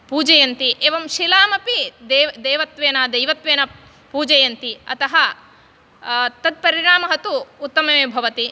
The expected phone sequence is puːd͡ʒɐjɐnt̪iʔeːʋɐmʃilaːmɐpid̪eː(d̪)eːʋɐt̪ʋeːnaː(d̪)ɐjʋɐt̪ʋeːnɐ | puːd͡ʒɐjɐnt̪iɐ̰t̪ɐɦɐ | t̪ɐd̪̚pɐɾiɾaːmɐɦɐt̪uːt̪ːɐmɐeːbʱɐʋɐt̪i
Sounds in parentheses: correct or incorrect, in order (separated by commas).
correct, correct